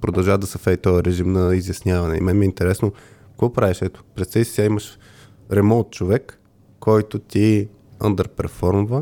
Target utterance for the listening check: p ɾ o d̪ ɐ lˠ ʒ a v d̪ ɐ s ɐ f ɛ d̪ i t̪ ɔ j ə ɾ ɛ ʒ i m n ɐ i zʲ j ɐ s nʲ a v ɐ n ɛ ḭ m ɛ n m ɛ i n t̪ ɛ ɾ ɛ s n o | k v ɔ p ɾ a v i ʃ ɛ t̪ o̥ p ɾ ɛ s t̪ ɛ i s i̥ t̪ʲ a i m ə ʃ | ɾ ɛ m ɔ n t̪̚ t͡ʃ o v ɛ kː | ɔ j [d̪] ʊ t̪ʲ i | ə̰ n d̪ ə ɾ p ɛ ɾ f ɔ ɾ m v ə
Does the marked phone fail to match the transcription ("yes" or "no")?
yes